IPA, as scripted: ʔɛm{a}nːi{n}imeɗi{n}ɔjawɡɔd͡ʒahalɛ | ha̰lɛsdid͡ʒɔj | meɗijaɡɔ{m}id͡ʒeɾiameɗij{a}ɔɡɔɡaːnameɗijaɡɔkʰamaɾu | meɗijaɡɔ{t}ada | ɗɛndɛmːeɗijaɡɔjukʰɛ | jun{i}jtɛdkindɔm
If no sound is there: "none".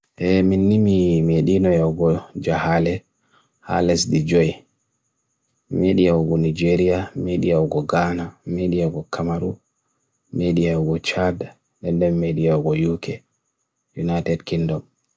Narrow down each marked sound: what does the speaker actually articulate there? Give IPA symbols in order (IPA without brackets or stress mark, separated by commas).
i, m, n, n, a, t͡ʃ, a